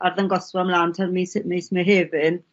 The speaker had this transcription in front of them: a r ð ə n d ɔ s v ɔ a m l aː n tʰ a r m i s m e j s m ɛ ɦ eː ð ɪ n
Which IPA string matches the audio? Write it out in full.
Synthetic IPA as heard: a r ð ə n ɡ ɔ s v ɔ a m l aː n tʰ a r m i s m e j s m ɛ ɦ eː v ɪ n